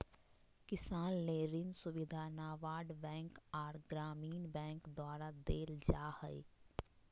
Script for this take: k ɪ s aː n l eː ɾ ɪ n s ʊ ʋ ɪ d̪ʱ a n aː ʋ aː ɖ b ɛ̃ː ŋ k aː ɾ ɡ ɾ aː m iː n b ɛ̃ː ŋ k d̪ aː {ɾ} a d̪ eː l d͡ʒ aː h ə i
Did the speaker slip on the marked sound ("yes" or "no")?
no